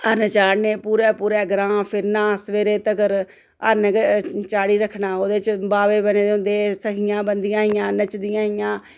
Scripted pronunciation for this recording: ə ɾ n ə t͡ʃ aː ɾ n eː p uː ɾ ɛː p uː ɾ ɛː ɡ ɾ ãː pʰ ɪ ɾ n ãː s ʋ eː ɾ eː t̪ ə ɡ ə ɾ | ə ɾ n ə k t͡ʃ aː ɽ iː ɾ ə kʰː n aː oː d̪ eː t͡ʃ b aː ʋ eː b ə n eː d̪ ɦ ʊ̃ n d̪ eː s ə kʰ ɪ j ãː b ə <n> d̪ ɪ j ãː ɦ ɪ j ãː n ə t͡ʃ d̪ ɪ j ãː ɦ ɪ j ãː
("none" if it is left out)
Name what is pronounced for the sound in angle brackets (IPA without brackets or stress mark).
n